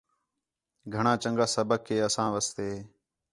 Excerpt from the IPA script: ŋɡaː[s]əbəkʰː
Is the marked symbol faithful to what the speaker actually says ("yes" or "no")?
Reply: yes